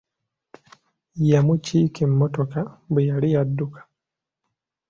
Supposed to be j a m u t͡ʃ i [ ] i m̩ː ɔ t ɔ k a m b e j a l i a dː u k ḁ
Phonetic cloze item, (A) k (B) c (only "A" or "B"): A